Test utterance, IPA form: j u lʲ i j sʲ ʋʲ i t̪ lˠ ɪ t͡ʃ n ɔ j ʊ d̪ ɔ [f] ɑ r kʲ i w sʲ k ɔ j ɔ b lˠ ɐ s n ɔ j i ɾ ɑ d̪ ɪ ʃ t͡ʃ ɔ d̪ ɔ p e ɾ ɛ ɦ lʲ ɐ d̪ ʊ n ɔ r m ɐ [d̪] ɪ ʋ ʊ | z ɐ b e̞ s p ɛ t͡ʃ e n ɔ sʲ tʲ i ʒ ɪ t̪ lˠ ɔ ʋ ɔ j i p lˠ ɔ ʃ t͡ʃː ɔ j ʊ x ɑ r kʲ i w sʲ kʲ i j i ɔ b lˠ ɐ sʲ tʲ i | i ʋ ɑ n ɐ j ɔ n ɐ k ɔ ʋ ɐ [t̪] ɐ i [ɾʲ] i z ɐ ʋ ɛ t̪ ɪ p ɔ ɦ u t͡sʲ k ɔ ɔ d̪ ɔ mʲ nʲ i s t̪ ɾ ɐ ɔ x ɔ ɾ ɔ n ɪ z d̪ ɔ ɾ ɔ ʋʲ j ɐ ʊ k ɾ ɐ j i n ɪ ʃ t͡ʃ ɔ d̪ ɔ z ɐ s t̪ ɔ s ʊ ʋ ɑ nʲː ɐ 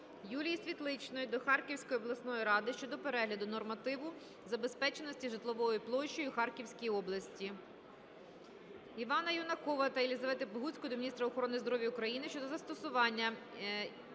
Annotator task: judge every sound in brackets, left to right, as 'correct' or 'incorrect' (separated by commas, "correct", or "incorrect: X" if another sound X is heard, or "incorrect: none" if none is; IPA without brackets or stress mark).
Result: incorrect: x, incorrect: t̪, correct, incorrect: lʲ